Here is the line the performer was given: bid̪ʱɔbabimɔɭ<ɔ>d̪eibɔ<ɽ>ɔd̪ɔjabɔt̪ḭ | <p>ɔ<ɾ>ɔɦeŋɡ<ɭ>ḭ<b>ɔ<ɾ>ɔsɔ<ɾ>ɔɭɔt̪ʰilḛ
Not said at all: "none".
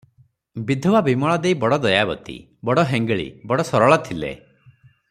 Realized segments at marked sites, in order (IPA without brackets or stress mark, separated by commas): ɔ, ɽ, b, ɽ, ɭ, b, ɽ, ɾ